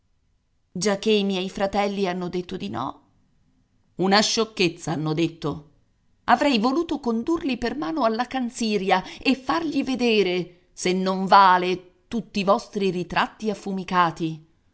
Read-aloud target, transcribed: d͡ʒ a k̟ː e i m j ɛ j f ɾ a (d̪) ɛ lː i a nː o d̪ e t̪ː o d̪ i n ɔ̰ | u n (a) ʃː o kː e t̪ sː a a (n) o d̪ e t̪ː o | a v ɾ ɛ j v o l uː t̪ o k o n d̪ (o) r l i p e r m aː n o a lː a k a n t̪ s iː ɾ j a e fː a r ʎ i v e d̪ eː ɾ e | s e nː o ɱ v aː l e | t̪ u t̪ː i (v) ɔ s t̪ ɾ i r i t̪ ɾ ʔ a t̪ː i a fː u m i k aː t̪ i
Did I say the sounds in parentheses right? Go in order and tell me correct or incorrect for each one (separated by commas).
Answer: incorrect, correct, incorrect, incorrect, correct